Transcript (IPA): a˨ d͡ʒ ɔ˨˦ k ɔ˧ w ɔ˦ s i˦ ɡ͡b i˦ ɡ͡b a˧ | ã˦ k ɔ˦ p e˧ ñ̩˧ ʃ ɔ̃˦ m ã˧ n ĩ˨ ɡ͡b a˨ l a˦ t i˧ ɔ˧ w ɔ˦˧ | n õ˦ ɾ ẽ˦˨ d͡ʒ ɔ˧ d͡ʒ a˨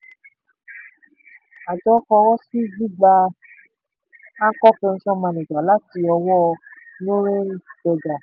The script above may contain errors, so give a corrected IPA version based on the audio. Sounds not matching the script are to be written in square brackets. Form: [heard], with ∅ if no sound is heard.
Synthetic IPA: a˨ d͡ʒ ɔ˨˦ k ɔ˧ w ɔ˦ s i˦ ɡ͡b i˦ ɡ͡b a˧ | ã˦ k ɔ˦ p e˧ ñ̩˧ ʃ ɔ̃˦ m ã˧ n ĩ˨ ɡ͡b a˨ l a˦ t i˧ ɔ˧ w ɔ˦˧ | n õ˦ ɾ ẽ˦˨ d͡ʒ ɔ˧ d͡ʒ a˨